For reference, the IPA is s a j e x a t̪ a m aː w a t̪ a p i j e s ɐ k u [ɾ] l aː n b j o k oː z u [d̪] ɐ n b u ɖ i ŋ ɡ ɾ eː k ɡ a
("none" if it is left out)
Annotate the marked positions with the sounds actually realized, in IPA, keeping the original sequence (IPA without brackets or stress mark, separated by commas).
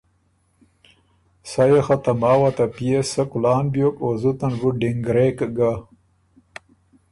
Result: none, t̪